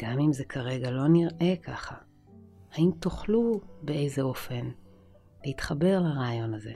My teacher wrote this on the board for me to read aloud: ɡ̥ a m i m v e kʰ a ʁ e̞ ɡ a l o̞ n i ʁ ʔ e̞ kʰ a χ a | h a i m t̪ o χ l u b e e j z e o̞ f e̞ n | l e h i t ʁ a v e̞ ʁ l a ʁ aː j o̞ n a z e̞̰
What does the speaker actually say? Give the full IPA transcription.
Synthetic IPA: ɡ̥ a m i m z e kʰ a ʁ e̞ ɡ a l o̞ n i ʁ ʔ e̞ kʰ a χ a | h a i m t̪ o χ l u b e e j z e o̞ f e̞ n | l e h i t χ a b e̞ ʁ l a ʁ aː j o̞ n a z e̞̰